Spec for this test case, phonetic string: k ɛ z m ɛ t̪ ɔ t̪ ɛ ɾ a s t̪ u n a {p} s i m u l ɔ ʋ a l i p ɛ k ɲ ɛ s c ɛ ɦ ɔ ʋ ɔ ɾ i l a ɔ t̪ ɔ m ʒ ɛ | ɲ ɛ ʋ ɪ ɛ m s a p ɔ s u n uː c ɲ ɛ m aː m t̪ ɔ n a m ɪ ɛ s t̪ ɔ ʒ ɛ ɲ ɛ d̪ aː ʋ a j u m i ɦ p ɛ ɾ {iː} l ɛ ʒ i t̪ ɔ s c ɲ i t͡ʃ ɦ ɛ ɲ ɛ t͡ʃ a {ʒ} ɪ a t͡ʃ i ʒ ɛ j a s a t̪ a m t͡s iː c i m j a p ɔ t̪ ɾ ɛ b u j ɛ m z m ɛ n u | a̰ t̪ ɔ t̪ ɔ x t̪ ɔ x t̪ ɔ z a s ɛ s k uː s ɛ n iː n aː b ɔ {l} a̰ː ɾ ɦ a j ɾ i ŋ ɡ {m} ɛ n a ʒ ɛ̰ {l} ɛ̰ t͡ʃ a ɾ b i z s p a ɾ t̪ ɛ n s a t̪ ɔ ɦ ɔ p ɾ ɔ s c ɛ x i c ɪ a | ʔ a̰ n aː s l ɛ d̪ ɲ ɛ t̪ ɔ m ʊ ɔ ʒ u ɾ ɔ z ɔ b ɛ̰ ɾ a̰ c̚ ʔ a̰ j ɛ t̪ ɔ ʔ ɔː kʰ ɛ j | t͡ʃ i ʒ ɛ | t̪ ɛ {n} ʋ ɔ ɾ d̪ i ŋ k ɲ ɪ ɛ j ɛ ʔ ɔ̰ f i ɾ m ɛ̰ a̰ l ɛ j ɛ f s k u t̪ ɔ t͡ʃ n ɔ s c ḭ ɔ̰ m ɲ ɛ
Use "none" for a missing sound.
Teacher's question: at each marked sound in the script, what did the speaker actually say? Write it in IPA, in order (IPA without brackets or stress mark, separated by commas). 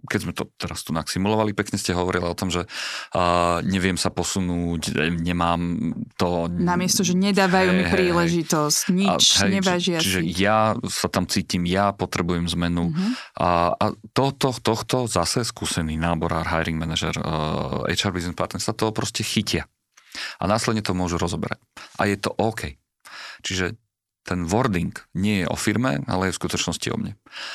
k, iː, ʒ, ɾ, m, ɾ, n